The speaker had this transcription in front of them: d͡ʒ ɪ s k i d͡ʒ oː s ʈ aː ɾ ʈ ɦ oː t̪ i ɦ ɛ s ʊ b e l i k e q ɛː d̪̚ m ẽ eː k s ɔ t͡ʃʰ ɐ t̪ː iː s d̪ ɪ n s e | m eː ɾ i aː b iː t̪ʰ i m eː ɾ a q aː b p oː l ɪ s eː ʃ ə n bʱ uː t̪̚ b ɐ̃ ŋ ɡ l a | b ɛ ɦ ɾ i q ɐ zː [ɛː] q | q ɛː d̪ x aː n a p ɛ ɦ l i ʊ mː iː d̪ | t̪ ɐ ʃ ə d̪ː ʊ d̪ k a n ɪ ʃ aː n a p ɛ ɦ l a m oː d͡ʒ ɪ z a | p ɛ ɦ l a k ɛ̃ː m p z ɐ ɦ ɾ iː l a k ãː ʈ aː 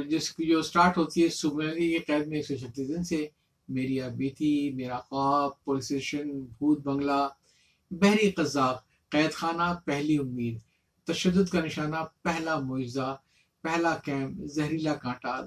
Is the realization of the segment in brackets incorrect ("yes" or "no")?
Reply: yes